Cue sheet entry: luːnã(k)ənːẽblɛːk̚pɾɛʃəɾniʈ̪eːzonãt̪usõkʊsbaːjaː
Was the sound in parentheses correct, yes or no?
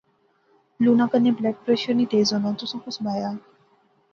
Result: yes